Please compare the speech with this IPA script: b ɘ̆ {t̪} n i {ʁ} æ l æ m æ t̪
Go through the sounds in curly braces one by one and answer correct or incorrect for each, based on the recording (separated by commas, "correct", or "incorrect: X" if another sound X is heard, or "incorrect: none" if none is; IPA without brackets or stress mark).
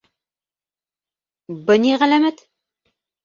incorrect: none, correct